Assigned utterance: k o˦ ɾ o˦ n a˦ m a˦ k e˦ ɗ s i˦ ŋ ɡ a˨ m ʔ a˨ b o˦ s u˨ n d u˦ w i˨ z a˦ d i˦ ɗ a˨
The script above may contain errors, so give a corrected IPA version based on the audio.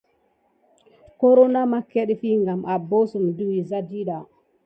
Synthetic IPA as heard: k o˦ ɾ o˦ n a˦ m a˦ k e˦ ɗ f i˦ ŋ ɡ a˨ m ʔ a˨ b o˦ s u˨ m d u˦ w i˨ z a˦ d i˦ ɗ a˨